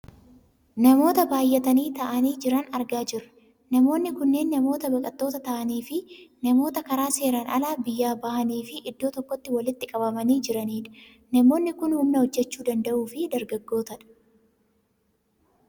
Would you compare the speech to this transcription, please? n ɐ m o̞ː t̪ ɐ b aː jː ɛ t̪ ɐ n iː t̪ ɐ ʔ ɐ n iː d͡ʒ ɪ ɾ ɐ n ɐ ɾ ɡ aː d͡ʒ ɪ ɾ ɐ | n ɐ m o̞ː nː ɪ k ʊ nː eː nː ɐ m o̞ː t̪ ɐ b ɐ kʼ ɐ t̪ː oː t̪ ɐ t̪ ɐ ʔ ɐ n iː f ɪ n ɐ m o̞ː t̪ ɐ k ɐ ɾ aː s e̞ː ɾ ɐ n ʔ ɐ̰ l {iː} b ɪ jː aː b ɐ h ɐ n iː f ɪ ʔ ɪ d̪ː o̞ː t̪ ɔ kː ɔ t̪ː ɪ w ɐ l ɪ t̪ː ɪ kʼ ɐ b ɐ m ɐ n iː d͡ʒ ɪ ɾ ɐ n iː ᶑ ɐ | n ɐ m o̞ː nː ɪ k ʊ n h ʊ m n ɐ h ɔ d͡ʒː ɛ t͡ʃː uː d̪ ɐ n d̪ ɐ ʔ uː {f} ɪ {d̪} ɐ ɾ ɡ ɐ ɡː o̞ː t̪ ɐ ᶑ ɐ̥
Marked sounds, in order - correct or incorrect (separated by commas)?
incorrect, correct, correct